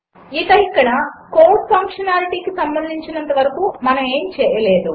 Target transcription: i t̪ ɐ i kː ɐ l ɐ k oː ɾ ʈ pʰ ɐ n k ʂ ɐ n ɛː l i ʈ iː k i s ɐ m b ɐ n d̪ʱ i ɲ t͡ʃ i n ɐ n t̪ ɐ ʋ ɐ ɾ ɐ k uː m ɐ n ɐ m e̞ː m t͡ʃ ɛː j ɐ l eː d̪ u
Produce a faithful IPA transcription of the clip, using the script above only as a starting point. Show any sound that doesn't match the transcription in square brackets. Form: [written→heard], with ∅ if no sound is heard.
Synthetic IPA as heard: i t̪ ɐ i kː ɐ [l→ɽ] ɐ k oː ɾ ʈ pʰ ɐ [n→ŋ] k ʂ ɐ n [ɛː→aː] l i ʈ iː k i s ɐ m b ɐ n d̪ʱ i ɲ t͡ʃ i n ɐ n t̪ ɐ ʋ ɐ ɾ ɐ k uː m ɐ n ɐ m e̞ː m t͡ʃ ɛː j ɐ l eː d̪ u